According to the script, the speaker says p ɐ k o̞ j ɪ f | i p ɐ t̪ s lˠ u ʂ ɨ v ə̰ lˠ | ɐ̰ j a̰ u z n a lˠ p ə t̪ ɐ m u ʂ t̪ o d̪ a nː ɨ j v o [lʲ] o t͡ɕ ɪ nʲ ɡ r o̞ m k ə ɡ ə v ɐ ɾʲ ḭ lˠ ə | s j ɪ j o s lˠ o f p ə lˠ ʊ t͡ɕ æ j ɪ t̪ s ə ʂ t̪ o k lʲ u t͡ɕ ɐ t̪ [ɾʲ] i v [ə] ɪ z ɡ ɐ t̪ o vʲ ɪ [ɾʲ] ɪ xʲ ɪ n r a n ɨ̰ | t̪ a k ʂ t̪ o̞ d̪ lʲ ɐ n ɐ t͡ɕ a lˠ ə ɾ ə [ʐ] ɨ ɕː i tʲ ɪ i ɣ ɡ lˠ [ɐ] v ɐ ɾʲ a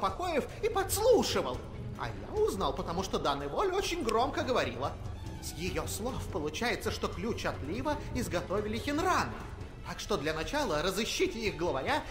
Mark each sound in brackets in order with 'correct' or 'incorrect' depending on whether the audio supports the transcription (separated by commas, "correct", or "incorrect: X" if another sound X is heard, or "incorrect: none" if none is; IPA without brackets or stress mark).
correct, incorrect: lʲ, correct, incorrect: lʲ, incorrect: z, incorrect: ə